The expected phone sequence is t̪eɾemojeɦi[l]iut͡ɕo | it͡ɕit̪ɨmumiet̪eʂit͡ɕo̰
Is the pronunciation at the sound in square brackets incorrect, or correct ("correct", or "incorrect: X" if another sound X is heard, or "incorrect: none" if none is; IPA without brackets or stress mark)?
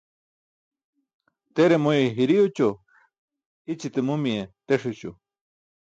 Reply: incorrect: ɾ